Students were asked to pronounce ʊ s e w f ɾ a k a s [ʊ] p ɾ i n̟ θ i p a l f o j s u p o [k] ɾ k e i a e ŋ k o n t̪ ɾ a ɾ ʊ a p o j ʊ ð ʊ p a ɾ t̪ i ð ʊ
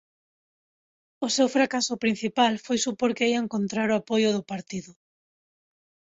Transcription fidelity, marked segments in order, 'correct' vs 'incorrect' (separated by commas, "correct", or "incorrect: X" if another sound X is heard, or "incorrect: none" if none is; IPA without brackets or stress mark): correct, incorrect: none